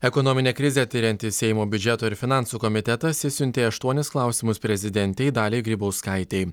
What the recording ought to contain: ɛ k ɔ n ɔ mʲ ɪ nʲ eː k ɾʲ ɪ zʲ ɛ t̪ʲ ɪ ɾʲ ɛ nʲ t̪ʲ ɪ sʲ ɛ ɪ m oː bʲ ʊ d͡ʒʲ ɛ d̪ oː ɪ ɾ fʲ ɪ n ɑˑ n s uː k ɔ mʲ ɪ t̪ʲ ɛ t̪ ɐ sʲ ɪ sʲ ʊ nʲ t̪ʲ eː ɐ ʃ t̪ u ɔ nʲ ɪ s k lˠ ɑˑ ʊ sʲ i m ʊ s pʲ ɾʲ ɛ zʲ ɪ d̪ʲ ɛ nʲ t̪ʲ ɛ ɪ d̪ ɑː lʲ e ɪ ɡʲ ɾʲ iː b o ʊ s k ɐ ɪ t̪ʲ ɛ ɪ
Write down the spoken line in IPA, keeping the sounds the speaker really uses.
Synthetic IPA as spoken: ɛ k ɔ n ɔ mʲ ɪ nʲ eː k ɾʲ ɪ zʲ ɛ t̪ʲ ɪ ɾʲ ɛ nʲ t̪ʲ ɪ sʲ ɛ ɪ m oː bʲ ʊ d͡ʒʲ ɛ t̪ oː ɪ ɾ fʲ ɪ n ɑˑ n s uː k ɔ mʲ ɪ t̪ʲ ɛ t̪ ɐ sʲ ɪ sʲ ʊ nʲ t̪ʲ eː ɐ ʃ t̪ u ɔ nʲ ɪ s k lˠ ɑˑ ʊ sʲ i m ʊ s pʲ ɾʲ ɛ zʲ ɪ d̪ʲ ɛ nʲ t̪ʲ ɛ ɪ d̪ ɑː lʲ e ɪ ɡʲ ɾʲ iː b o ʊ s k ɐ ɪ t̪ʲ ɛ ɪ